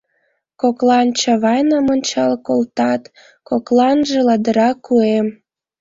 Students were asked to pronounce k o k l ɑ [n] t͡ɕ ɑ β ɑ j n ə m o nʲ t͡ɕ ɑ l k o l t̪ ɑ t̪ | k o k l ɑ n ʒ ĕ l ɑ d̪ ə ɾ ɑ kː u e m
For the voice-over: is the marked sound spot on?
yes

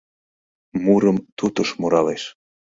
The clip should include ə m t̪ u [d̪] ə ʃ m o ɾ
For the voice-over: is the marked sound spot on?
no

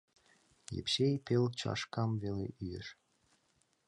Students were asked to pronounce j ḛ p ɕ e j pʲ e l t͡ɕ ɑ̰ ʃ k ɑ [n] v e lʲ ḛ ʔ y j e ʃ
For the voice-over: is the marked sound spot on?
no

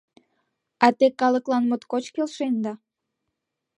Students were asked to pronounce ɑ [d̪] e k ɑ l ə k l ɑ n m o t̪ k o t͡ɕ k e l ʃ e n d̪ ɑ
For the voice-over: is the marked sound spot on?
no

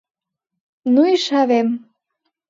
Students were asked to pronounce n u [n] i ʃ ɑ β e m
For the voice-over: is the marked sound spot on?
no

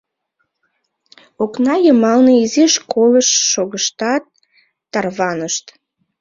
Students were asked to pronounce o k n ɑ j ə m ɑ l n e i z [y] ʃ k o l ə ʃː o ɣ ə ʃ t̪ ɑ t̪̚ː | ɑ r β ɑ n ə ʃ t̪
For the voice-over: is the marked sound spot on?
no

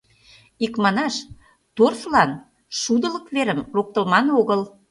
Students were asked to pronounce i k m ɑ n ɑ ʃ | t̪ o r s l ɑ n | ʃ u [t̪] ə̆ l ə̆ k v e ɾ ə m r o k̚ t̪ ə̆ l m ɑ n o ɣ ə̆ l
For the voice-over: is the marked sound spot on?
no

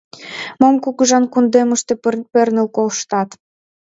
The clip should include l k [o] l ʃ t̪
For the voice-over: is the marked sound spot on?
yes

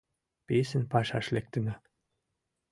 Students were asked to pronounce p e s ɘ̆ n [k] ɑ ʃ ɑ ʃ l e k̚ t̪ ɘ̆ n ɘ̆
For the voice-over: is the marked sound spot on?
no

